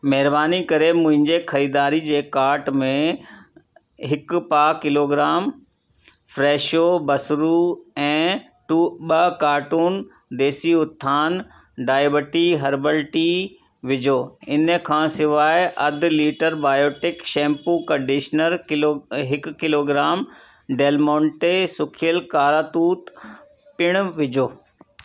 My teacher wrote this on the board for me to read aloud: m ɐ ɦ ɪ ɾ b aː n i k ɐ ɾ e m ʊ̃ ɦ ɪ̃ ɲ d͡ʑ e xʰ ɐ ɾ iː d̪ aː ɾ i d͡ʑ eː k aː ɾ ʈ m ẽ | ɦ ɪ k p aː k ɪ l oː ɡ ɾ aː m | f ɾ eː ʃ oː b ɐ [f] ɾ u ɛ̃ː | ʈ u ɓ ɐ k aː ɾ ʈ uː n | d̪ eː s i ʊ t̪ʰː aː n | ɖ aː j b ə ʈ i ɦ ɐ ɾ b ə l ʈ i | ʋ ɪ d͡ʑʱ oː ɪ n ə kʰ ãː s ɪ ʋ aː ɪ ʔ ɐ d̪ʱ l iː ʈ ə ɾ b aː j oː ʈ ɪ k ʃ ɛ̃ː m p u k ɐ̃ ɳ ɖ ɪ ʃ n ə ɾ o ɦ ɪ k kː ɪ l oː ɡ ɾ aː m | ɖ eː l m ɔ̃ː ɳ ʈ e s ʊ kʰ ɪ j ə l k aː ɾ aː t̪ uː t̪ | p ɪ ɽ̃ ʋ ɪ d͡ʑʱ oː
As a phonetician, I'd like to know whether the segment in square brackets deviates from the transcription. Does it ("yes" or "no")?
yes